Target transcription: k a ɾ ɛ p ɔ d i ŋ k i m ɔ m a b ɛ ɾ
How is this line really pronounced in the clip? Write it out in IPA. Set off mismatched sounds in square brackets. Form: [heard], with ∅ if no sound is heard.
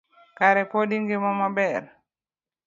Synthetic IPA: k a ɾ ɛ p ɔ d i ŋ [ɡ] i m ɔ m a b ɛ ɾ

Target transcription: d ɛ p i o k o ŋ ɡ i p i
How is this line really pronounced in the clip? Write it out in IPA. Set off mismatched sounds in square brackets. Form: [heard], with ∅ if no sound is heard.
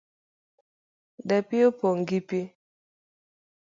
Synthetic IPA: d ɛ p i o [p] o ŋ ɡ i p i

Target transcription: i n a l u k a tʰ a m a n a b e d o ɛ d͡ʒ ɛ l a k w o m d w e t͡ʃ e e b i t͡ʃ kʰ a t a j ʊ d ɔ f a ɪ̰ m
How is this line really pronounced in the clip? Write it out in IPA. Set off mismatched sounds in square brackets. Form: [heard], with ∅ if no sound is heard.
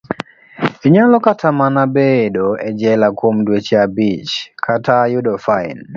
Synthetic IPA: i [ɲ] a l [ɔ] k a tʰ a m a n a b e d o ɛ d͡ʒ ɛ l a k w o m d w e t͡ʃ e [a] b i t͡ʃ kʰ a t a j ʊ d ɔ f a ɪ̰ [n]

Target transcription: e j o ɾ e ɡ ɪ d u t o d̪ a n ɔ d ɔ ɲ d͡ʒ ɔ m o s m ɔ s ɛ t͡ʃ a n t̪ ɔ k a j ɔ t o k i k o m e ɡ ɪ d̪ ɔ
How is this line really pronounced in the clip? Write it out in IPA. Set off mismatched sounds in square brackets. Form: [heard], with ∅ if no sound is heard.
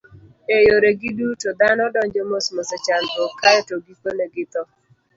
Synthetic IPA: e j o ɾ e ɡ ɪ d u t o d̪ a n ɔ d ɔ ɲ d͡ʒ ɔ m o s m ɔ s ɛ t͡ʃ a n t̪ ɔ k a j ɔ t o [ɡ] i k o [n] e ɡ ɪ [t̪] ɔ

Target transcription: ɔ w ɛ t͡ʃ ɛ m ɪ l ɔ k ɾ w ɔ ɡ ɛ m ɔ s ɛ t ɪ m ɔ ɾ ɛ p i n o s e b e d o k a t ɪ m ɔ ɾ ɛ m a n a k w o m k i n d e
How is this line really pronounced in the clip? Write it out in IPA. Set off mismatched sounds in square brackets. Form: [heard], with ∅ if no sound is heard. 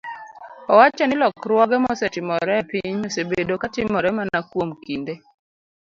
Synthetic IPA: ɔ w [a] t͡ʃ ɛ [n] ɪ l ɔ k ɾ w ɔ ɡ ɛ m ɔ s ɛ t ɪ m ɔ ɾ ɛ p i [ɲ] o s e b e d o k a t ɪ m ɔ ɾ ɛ m a n a k w o m k i n d e

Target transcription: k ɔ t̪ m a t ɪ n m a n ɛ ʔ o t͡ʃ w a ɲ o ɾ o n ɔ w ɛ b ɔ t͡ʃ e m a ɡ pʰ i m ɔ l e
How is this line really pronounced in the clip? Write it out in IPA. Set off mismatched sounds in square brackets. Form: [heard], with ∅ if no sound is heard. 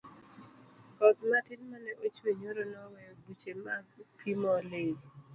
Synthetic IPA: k ɔ t̪ m a t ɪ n m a n ɛ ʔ o t͡ʃ w [e] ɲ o ɾ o n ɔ w ɛ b [u] t͡ʃ e m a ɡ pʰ i m ɔ l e

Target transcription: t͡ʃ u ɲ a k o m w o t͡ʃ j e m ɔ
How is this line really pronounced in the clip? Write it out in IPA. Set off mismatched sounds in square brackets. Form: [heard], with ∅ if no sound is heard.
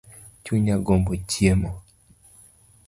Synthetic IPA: t͡ʃ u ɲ a [ɡ] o m [b] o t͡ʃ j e m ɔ

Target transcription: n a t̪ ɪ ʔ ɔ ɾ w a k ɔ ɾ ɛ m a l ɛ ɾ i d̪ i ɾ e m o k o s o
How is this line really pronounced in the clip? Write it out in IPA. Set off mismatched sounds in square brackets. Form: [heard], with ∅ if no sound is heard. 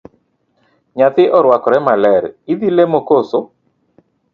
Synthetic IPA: [ɲ] a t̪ ɪ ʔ ɔ ɾ w a k ɔ ɾ ɛ m a l ɛ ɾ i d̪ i [l] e m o k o s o

